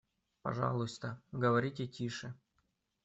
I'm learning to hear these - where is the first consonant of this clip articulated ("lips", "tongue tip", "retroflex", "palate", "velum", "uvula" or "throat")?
lips